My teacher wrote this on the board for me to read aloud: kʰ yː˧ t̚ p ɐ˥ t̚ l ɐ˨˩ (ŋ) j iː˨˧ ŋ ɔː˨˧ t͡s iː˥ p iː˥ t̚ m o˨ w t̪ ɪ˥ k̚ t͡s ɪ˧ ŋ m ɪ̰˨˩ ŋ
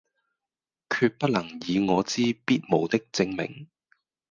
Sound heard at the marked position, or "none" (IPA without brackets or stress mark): ŋ